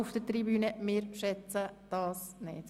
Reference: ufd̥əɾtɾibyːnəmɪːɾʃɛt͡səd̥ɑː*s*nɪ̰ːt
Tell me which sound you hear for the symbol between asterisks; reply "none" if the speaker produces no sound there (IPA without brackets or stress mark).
s